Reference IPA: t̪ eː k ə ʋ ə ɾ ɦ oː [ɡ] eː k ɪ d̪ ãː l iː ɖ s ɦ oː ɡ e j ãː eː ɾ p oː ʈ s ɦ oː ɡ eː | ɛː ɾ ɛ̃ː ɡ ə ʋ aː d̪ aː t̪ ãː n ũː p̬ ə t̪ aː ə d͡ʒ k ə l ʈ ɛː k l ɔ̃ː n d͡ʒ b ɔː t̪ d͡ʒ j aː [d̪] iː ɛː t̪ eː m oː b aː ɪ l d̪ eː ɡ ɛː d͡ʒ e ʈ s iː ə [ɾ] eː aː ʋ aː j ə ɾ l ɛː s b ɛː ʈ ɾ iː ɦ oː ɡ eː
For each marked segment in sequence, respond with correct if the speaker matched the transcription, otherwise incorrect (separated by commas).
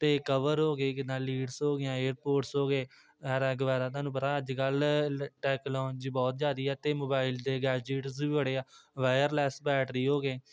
correct, correct, incorrect